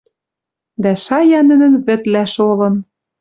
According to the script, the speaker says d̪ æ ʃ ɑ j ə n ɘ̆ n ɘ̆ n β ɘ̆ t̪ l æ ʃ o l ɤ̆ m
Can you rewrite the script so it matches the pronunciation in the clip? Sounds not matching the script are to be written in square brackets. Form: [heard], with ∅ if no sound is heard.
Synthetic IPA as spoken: d̪ æ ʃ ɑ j [ɑ] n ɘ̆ n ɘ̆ n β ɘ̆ t̪ l æ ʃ o l ɤ̆ [n]